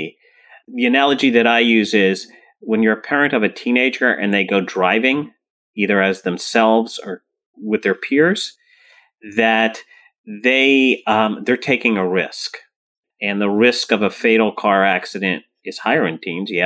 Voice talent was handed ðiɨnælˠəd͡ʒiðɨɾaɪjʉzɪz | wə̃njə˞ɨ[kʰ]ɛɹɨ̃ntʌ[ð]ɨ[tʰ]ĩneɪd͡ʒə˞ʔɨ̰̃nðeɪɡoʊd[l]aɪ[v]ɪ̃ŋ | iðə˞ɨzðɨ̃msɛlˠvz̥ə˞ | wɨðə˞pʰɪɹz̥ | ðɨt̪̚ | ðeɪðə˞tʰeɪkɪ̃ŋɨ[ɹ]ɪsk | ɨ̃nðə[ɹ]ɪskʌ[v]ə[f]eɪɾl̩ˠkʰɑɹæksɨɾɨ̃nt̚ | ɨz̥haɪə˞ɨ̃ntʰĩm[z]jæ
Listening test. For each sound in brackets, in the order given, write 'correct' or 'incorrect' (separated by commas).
incorrect, incorrect, correct, incorrect, correct, correct, correct, correct, correct, correct